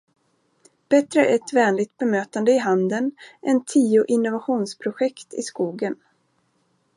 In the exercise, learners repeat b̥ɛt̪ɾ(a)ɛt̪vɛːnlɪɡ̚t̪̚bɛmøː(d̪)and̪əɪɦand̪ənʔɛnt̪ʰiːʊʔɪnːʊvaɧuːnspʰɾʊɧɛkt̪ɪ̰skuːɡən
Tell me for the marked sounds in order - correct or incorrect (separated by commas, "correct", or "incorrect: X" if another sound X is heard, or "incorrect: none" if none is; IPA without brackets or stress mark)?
incorrect: ə, incorrect: t̪